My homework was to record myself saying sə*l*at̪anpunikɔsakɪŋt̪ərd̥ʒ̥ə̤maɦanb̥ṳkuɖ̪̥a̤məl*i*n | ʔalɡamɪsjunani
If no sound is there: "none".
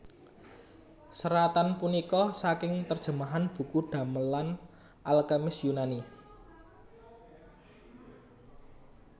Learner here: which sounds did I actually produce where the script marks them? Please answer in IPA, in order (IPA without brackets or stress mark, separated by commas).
ɾ, a